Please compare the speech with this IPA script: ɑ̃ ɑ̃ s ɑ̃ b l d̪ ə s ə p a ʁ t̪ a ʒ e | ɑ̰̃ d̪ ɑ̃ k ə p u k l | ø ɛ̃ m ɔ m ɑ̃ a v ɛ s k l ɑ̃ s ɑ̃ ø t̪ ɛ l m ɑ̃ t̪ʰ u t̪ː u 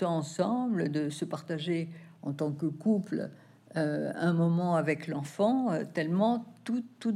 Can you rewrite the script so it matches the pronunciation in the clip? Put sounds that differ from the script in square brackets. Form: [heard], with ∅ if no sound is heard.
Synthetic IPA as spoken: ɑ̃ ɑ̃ s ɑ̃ b l d̪ ə s ə p a ʁ t̪ a ʒ e | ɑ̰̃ [t̪] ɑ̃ k ə [k] u [p] l | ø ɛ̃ m ɔ m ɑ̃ a v ɛ [∅] k l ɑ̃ [f] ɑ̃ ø t̪ ɛ l m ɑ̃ [t̪] u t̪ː u